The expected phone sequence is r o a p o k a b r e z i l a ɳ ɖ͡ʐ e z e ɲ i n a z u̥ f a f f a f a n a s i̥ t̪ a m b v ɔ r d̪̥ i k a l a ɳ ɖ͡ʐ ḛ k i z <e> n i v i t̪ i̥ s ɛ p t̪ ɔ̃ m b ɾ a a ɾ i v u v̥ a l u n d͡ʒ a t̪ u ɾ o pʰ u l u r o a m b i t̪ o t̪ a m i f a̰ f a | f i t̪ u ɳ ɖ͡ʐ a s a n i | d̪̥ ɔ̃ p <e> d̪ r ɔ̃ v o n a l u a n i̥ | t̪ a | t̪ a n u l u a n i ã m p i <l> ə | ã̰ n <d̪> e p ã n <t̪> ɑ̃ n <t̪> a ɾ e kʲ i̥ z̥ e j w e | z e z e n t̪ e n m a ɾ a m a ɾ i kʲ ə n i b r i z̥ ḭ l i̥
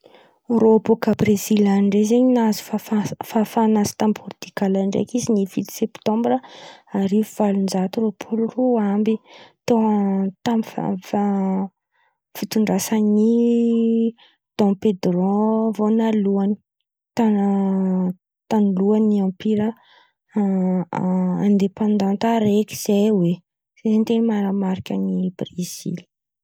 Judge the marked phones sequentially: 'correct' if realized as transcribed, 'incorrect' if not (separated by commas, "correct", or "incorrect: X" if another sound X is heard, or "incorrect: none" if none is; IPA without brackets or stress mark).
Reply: incorrect: i, correct, incorrect: ɾ, correct, incorrect: d̪, correct